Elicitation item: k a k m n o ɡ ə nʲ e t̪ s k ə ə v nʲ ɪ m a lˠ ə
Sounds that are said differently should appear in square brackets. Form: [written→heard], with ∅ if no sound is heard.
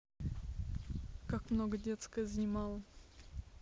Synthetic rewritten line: k a k m n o ɡ ə [nʲ→dʲ] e t̪ s k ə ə [v→z] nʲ ɪ m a lˠ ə